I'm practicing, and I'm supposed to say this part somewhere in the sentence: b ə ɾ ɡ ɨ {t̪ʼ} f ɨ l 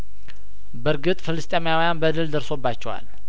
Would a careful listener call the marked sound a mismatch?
no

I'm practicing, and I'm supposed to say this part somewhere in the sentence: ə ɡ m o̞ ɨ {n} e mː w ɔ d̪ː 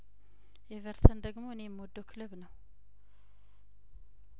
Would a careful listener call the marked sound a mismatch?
no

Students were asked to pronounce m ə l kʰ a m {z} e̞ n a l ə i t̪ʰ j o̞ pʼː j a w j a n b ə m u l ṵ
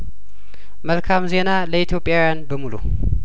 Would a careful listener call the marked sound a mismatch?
no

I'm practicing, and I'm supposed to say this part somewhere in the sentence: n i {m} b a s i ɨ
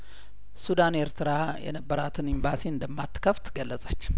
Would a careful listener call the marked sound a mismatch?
no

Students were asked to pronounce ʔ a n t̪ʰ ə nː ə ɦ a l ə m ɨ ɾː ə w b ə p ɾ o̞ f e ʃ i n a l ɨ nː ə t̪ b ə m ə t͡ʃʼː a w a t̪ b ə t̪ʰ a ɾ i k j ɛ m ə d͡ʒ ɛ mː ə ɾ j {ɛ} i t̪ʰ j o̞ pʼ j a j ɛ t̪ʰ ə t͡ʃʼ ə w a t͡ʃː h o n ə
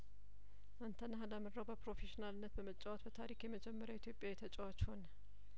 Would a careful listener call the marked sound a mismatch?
yes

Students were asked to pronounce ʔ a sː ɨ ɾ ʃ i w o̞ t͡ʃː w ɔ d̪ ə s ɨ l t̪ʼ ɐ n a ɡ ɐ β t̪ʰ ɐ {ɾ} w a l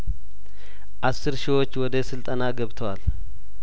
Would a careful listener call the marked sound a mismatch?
yes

